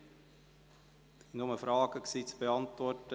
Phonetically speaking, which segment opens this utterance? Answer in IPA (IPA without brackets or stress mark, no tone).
n